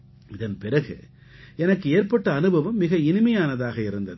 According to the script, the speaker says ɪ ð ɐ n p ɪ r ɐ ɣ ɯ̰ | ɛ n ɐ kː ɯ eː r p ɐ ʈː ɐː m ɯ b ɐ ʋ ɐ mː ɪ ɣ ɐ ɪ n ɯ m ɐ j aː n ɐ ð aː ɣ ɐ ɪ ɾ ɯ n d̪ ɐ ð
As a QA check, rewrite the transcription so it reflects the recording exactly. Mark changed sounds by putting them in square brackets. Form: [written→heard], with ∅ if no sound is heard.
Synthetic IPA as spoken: ɪ ð ɐ n p ɪ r ɐ ɣ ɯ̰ | ɛ n ɐ kː ɯ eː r p ɐ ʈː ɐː [m→n] ɯ b ɐ ʋ ɐ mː ɪ ɣ ɐ ɪ n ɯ m ɐ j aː n ɐ ð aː ɣ ɐ ɪ ɾ ɯ n d̪ ɐ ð